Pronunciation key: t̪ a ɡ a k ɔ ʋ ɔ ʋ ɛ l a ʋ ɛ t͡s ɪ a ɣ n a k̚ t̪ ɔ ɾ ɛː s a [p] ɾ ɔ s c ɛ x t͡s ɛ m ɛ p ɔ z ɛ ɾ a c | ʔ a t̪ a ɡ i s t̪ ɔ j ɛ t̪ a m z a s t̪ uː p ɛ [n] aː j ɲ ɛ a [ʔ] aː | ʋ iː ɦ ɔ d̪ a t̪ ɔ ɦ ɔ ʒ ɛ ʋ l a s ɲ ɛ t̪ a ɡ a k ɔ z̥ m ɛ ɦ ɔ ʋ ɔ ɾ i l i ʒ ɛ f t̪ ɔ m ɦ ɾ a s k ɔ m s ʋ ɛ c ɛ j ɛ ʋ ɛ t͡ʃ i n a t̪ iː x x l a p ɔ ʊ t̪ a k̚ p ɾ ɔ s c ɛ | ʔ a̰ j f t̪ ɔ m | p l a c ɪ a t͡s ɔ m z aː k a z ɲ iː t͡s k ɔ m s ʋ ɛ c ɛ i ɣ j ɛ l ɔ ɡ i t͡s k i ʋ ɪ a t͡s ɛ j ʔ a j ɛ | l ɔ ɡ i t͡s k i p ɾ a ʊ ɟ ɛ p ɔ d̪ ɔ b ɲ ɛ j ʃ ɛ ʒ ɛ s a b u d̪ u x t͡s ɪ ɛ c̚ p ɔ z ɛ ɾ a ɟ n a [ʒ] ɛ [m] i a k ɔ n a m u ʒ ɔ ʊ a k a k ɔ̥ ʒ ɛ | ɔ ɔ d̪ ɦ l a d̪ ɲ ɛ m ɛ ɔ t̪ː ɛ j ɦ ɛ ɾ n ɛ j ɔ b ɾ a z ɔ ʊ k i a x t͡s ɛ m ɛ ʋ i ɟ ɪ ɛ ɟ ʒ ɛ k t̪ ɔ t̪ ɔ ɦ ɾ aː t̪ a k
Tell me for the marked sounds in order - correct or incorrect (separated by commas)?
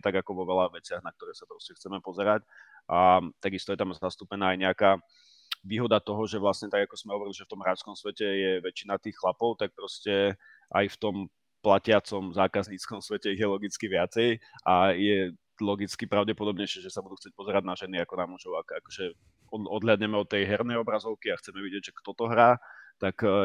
correct, correct, incorrect, correct, incorrect